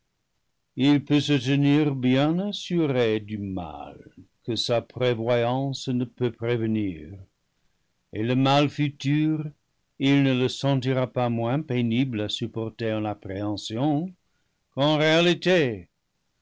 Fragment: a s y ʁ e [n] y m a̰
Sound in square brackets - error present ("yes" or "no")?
yes